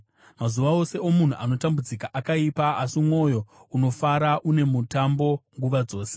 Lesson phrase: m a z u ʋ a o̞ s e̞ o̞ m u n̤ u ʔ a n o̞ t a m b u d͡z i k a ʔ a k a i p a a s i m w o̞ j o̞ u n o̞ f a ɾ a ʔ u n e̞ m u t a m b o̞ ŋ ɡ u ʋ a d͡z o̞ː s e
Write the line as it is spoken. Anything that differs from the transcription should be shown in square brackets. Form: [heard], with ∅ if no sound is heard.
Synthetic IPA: m a z u ʋ a o̞ s e̞ o̞ m u n̤ u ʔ a n o̞ t a m b u d͡z i k a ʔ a k a i p a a s i m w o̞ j o̞ u n o̞ f a ɾ a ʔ u n e̞ m u t a m b o̞ ŋ ɡ u ʋ a d͡z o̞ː s e